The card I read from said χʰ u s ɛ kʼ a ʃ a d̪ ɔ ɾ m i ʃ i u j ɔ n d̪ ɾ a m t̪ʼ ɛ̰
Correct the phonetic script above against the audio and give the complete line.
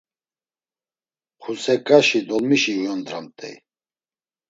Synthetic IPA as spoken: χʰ u s ɛ kʼ a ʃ i d̪ ɔ l m i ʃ i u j ɔ n d̪ ɾ a m t̪ʼ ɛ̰